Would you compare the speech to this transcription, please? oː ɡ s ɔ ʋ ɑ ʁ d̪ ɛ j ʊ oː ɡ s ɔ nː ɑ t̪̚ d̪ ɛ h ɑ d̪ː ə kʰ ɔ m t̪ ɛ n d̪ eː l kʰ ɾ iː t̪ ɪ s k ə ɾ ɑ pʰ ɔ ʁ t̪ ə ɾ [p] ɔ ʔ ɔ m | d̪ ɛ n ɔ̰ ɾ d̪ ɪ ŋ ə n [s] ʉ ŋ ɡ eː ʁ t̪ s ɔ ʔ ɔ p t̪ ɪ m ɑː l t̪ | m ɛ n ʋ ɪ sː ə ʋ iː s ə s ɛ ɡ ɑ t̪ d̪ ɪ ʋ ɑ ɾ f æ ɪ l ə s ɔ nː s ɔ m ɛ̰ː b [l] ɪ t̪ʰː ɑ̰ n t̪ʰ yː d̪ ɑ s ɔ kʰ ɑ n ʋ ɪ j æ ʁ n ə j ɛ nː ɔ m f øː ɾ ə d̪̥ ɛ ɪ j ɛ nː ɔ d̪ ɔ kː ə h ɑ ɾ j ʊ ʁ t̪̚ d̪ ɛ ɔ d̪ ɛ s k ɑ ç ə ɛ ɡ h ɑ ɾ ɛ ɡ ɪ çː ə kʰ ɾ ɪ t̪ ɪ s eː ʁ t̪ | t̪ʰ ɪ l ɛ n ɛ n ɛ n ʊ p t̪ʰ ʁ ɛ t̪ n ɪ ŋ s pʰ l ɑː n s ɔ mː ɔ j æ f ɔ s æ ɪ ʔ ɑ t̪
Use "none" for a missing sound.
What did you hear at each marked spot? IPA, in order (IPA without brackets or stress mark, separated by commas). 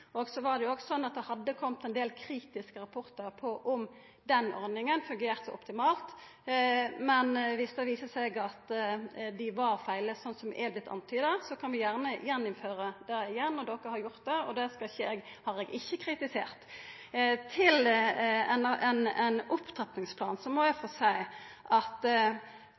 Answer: pʰ, f, l